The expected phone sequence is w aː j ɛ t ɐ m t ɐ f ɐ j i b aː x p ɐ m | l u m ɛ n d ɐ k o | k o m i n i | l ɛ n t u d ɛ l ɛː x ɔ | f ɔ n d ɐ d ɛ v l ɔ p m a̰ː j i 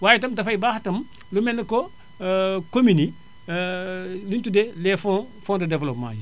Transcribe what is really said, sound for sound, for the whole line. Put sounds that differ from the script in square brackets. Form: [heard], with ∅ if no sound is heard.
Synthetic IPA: w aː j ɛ t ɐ m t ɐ f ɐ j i b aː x [t] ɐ m | l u m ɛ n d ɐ k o | k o m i n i | l [i] n t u d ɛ l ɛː [f] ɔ | f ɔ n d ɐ d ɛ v l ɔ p m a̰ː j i